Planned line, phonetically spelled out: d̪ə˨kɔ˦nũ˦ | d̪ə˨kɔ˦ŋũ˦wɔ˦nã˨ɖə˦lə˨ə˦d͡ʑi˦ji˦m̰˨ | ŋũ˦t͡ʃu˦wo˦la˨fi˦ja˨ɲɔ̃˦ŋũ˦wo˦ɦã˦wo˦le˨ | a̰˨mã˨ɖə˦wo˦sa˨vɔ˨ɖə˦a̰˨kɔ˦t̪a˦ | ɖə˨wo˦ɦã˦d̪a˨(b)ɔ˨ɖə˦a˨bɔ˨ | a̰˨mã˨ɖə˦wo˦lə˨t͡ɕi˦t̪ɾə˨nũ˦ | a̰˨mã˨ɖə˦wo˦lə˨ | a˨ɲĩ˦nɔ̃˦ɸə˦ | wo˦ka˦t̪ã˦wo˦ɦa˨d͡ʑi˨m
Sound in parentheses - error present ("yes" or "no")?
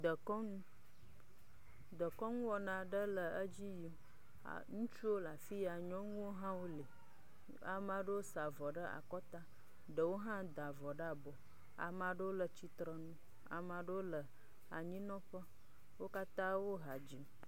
yes